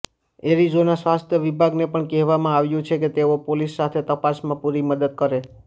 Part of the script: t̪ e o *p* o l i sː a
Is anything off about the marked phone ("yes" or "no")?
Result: no